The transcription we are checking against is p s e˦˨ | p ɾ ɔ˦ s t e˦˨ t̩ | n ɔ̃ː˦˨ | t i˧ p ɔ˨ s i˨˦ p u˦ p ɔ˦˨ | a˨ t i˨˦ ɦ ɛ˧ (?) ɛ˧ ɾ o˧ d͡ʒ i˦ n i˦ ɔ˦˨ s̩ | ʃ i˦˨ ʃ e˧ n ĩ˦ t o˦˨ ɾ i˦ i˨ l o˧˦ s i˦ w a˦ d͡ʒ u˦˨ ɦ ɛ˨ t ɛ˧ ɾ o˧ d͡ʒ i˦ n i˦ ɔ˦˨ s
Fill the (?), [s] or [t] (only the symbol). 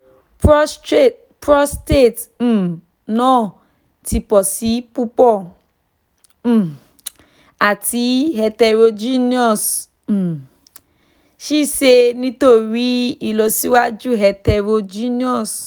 t